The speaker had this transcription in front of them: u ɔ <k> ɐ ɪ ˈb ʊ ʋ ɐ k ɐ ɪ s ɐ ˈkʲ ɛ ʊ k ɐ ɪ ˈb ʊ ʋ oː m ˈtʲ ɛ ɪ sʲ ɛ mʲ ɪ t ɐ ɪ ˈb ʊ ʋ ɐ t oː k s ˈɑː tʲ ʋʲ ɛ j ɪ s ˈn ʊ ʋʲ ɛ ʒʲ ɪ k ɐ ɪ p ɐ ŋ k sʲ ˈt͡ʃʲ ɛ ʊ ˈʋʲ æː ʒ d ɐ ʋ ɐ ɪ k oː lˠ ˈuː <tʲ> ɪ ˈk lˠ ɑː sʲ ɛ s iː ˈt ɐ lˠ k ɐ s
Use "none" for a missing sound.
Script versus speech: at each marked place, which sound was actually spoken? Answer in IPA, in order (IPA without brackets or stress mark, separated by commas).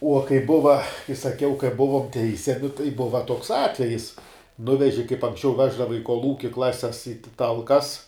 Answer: k, kʲ